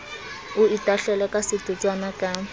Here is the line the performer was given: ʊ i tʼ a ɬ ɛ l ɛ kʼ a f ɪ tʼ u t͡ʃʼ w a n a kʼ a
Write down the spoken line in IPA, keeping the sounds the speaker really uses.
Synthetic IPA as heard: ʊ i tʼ a ɬ ɛ l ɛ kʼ a s ɪ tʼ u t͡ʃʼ w a n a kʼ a